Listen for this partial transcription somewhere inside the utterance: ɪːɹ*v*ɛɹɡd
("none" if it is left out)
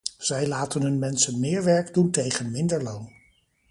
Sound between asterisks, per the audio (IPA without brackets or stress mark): ʋ